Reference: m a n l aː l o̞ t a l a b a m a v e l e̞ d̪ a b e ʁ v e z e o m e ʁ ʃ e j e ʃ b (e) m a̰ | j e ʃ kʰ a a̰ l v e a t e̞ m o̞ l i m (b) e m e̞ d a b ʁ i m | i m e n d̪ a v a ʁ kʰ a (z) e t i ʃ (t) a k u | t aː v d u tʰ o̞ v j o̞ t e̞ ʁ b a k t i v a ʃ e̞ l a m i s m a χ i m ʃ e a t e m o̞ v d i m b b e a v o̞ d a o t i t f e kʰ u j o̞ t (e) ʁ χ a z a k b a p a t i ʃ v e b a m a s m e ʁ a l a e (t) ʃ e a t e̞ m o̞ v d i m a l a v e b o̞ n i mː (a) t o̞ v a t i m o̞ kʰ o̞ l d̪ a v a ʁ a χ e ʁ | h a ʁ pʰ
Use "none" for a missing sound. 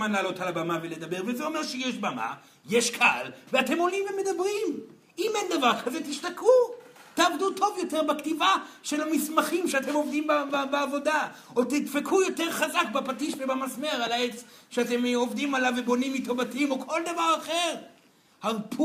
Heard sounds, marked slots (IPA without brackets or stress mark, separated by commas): a, v, z, t, e, t͡s, i